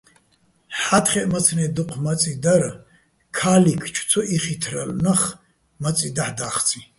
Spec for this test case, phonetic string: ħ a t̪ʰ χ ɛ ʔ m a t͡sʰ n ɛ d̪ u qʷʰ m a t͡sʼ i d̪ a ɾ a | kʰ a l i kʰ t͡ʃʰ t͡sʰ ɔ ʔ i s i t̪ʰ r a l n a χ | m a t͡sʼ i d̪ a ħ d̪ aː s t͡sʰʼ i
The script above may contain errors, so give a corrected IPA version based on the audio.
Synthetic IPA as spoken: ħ a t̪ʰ χ ɛ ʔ m a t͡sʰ n ɛ d̪ u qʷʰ m a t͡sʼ i d̪ a ɾ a | kʰ a l i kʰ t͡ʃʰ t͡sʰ ɔ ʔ i χ i t̪ʰ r a l n a χ | m a t͡sʼ i d̪ a ħ d̪ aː χ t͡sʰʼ i

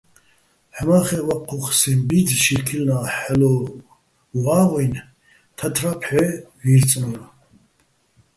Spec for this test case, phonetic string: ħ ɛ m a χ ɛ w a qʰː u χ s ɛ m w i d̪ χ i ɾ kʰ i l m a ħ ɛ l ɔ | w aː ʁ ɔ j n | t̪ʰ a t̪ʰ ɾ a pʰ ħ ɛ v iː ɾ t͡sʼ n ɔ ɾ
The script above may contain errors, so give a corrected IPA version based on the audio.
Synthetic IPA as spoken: ħ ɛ m a χ ɛ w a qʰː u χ s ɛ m b i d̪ ʃ i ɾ kʰ i l n a ħ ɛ l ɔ | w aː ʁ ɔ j n | t̪ʰ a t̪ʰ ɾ a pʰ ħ ɛ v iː ɾ t͡sʼ n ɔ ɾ

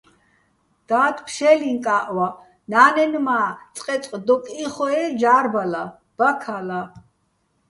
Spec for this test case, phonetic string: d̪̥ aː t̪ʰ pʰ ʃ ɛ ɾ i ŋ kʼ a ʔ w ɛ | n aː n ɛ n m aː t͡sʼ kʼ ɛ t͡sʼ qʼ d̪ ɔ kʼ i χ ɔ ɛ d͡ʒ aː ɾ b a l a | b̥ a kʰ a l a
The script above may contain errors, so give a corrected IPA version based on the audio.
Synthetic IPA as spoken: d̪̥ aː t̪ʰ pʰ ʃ ɛ l i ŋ kʼ a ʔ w a | n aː n ɛ n m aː t͡sʼ qʼ ɛ t͡sʼ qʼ d̪ ɔ kʼ i χ ɔ ɛ d͡ʒ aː ɾ b a l a | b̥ a kʰ a l a

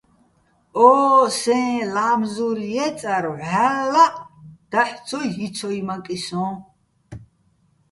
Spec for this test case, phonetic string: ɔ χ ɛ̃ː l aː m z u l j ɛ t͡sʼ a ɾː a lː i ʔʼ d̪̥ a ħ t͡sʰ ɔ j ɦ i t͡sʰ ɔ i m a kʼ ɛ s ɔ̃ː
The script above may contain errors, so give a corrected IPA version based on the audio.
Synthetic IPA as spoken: ɔ s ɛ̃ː l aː m z u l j ɛ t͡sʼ a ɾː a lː a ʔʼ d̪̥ a ħ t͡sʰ ɔ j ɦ i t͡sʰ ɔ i m a kʼ i s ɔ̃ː

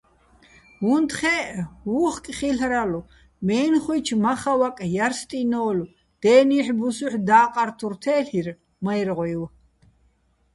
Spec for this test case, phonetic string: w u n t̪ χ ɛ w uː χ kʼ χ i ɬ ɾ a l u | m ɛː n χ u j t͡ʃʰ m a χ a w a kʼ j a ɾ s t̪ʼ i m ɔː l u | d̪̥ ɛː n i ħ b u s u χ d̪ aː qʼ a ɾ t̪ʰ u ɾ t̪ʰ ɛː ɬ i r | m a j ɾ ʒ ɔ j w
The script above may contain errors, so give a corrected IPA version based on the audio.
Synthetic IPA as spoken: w u n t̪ χ ɛ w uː χ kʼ χ i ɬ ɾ a l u | m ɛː n χ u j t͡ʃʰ m a χ a w a kʼ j a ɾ s t̪ʼ i n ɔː l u | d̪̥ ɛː n i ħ b u s u ħ d̪ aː qʼ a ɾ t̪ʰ u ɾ t̪ʰ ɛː ɬ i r | m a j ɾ ʁ ɔ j w

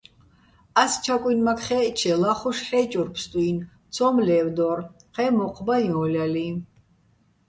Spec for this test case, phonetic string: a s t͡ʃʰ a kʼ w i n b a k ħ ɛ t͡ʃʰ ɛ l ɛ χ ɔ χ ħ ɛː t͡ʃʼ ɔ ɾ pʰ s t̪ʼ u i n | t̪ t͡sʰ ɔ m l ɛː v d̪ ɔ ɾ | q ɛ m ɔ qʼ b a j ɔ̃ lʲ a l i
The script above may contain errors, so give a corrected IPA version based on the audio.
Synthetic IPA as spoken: a s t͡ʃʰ a kʼ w i n m a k χ ɛ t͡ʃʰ ɛ l a χ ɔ ʃ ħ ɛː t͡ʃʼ ɔ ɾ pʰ s t̪ʼ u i n | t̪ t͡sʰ ɔ m l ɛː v d̪ ɔ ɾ | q ɛ m ɔ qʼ b a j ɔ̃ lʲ a l i

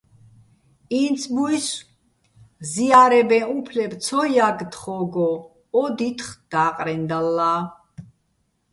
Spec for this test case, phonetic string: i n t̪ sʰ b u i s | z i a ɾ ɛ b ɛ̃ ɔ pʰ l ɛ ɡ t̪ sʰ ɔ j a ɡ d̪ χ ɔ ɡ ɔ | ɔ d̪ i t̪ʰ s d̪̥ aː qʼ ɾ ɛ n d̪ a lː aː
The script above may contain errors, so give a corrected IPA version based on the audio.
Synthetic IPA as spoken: i n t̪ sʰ b u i s | z i a ɾ ɛ b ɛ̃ u pʰ l ɛ b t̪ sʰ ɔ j a ɡ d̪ χ ɔ ɡ ɔ | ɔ d̪ i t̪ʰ χ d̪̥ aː qʼ ɾ ɛ n d̪ a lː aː

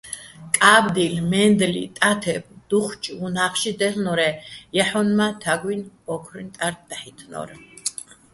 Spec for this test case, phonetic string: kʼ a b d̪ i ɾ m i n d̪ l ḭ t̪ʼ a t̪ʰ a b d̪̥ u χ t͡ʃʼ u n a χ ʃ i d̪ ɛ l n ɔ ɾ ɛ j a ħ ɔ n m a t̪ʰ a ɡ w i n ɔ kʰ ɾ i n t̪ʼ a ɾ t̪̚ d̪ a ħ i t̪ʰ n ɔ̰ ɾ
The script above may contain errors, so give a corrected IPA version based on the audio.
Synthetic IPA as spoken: kʼ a b d̪ i l m ɛ n d̪ l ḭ t̪ʼ a t̪ʰ ɛ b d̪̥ u χ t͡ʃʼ u n a χ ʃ i d̪ ɛ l n ɔ ɾ ɛ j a ħ ɔ n m a t̪ʰ a ɡ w i n ɔ kʰ ɾ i n t̪ʼ a ɾ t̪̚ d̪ a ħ i t̪ʰ n ɔ̰ ɾ

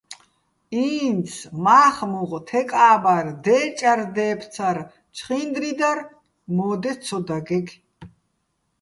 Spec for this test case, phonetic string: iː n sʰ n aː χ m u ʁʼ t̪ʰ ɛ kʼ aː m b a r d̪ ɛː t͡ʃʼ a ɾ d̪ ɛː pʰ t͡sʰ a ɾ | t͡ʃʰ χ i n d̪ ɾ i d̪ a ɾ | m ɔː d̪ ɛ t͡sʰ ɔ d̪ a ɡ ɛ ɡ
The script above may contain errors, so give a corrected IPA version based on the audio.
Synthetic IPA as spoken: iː n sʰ m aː χ m u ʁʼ t̪ʰ ɛ kʼ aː b a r d̪ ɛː t͡ʃʼ a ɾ d̪ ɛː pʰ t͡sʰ a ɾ | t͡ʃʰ χ i n d̪ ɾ i d̪ a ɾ | m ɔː d̪ ɛ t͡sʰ ɔ d̪ a ɡ ɛ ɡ

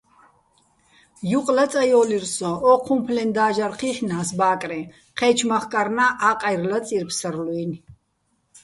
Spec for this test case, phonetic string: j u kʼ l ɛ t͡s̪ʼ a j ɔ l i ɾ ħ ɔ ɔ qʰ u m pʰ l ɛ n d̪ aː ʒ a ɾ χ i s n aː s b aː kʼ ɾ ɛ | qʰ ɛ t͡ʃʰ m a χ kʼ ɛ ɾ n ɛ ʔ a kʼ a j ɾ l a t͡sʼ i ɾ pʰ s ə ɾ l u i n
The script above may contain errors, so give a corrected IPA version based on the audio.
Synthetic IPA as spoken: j u qʼ l a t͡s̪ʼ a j ɔ l i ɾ s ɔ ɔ qʰ u m pʰ l ɛ n d̪ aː ʒ a ɾ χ i χ n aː s b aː kʼ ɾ ɛ | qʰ ɛ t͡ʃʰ m a χ kʼ a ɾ n a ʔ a qʼ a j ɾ l a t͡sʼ i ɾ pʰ s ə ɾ l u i n

